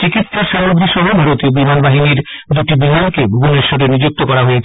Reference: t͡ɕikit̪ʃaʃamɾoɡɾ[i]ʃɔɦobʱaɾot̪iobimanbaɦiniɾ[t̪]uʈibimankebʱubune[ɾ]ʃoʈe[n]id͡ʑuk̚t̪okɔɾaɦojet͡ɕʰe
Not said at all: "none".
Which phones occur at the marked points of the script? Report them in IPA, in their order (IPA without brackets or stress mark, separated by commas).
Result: i, d̪, ɾ, n